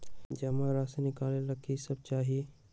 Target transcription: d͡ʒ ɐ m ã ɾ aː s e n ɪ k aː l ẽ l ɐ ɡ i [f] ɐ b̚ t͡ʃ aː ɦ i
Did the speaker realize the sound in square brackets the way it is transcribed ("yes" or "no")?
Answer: no